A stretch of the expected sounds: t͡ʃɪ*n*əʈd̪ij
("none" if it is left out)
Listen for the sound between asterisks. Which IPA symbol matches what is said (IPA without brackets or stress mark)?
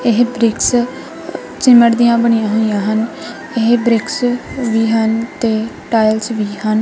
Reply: m